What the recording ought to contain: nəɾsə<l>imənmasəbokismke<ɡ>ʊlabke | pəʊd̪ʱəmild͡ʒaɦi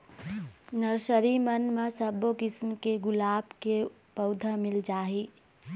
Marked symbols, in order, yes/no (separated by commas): no, yes